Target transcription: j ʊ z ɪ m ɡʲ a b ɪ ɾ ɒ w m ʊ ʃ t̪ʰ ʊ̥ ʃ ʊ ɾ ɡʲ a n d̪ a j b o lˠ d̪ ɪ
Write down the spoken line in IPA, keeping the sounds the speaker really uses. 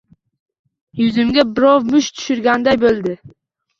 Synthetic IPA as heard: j ʊ z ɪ m ɡʲ a b ɪ ɾ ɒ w m ʊ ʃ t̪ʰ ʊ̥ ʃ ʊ ɾ ɡʲ a n d̪ a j b o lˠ d̪ ɪ